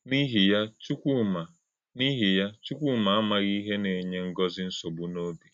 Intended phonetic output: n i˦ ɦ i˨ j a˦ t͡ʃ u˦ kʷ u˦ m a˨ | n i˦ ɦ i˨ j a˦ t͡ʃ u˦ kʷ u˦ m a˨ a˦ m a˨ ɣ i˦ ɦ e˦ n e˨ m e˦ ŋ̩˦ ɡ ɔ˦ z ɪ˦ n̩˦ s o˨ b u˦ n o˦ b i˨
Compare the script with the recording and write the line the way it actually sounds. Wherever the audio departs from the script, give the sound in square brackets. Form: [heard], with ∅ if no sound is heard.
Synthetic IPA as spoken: n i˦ ɦ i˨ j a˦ t͡ʃ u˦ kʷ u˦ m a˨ | n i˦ ɦ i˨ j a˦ t͡ʃ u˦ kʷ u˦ m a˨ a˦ m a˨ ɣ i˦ ɦ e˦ n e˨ [ɲ] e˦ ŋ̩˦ ɡ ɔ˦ z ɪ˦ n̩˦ s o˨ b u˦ n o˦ b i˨